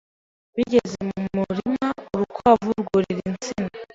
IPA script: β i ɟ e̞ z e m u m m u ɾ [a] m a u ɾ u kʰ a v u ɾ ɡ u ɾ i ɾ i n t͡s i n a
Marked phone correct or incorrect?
incorrect